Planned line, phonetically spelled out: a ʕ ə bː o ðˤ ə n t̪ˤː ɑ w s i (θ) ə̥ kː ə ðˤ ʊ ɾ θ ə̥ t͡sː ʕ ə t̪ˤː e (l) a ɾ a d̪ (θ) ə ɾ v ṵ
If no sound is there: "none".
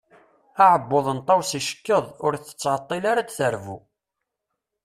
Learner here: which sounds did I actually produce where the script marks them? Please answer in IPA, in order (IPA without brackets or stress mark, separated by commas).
ʃ, l, θ